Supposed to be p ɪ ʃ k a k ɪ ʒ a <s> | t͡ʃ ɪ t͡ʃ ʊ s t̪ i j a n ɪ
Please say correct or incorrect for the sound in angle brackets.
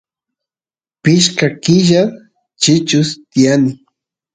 incorrect: none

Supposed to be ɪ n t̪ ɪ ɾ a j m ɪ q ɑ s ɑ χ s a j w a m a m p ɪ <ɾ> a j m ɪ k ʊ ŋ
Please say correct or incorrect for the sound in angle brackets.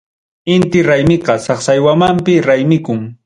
correct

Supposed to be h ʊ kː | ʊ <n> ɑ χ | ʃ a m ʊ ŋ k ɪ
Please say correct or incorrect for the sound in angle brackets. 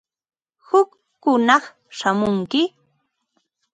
correct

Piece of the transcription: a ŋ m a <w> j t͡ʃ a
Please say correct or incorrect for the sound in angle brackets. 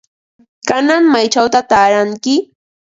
incorrect: none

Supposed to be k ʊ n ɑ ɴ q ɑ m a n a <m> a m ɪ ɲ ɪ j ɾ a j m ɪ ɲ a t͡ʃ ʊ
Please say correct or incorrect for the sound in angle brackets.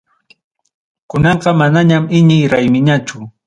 incorrect: ɲ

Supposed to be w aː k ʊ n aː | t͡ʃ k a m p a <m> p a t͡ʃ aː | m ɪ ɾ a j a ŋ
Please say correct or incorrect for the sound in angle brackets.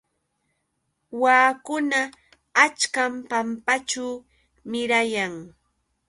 correct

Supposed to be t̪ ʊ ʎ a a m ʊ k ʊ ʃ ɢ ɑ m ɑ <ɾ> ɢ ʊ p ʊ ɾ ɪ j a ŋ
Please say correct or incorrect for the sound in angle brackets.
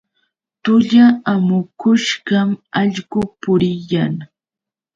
incorrect: ʎ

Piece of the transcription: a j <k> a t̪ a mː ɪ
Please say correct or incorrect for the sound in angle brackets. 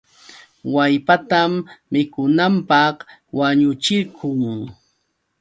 incorrect: p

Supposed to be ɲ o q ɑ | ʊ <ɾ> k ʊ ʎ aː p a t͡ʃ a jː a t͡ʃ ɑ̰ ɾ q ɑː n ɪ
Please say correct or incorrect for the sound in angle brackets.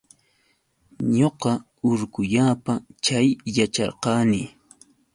correct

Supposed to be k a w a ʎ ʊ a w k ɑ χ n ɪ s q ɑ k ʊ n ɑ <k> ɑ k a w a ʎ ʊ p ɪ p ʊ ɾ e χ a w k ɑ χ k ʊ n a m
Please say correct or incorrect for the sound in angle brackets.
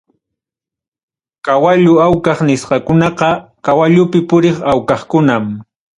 incorrect: q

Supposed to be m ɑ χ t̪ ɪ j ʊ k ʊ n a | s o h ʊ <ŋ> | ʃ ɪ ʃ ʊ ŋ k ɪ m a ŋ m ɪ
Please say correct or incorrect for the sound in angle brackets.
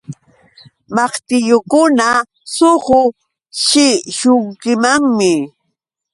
incorrect: none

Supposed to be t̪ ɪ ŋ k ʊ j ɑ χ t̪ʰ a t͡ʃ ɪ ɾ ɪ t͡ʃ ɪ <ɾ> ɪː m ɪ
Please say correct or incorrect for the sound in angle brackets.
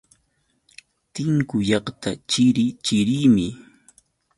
correct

